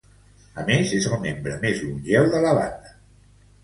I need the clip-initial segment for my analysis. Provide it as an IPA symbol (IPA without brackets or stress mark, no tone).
ə